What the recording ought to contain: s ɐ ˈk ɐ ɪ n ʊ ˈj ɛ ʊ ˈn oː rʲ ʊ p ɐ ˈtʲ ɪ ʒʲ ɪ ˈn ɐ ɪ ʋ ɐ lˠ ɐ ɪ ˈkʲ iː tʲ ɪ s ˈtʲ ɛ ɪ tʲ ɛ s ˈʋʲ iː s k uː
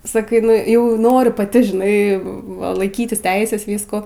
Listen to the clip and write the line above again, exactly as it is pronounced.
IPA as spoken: s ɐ ˈk ɐ ɪ n ʊ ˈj ɛ ʊ ˈn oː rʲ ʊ p ɐ ˈtʲ ɪ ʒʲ ɪ ˈn ɐ ɪ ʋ ɐ lˠ ɐ ɪ ˈkʲ iː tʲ ɪ s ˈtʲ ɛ ɪ sʲ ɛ s ˈʋʲ iː s k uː